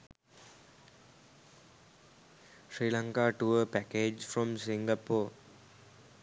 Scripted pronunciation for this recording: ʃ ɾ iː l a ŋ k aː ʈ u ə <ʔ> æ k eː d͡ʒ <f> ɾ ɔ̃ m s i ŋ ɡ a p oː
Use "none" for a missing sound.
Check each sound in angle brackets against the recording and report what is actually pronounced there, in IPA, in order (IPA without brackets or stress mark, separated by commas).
p, f